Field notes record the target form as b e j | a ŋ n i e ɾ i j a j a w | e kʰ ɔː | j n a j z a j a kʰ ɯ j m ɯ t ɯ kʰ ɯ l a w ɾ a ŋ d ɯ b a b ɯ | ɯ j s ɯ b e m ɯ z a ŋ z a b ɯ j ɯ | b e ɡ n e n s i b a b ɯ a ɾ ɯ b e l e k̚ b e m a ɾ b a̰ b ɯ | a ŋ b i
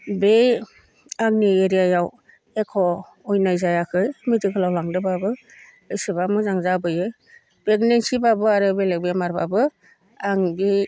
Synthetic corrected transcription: b e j | a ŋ n i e ɾ i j a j a w | e kʰ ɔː | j n a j z a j a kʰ ɯ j m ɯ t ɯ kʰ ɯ l a w l a ŋ d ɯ b a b ɯ | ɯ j s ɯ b a m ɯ z a ŋ z a b ɯ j ɯ | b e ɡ n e n s i b a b ɯ a ɾ ɯ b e l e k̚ b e m a ɾ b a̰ b ɯ | a ŋ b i